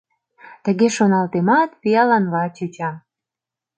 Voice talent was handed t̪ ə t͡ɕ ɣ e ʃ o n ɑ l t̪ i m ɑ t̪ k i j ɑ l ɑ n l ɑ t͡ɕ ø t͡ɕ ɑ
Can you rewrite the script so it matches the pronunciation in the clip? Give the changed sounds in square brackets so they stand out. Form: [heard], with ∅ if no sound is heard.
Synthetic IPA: t̪ ə [∅] ɣ e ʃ o n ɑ l t̪ [e] m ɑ t̪ [p] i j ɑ l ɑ n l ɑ t͡ɕ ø t͡ɕ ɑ